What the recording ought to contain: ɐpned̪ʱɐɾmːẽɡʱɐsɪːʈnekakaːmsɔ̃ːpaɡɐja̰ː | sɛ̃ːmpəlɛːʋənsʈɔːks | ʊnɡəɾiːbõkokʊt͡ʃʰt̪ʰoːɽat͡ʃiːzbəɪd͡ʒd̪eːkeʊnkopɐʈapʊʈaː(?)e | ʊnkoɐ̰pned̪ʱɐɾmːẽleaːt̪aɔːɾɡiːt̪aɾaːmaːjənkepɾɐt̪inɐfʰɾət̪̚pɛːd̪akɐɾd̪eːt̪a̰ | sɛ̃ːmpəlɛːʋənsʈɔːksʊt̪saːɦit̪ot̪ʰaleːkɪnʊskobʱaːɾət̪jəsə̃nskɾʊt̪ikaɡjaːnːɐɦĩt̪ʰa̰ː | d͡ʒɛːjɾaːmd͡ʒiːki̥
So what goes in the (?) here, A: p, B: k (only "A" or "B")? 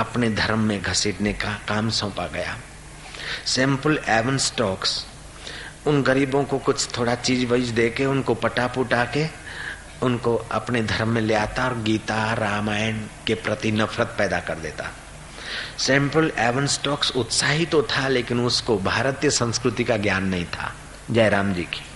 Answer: B